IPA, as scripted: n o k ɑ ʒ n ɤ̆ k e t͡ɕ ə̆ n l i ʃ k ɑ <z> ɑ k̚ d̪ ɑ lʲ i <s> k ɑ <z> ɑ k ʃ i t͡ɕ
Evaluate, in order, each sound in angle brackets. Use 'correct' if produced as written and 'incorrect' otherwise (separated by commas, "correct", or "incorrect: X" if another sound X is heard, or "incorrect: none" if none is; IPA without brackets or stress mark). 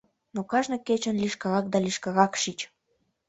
incorrect: ɣ, incorrect: ʃ, incorrect: ɣ